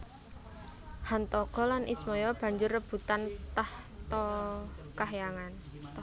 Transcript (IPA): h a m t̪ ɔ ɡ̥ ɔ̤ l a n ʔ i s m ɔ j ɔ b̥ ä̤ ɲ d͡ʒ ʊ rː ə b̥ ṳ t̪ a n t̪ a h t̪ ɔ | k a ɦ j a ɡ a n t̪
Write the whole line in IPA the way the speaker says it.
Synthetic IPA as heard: h a n t̪ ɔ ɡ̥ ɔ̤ l a n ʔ i s m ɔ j ɔ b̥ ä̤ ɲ d͡ʒ ʊ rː ə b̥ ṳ t̪ a n t̪ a h t̪ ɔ | k a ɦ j a ŋ a n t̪